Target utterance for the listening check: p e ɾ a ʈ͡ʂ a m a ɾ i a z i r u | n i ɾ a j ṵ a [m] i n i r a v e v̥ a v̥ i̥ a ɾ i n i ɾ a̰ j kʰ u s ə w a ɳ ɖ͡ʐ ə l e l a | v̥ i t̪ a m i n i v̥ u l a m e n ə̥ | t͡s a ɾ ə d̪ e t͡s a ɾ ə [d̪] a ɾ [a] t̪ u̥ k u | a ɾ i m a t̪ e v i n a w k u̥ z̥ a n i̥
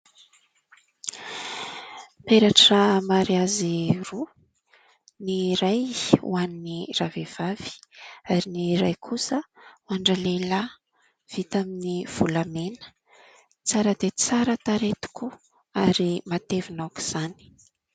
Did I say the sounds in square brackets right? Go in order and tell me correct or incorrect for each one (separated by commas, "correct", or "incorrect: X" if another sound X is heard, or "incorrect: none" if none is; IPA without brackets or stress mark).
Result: incorrect: n, incorrect: t̪, incorrect: e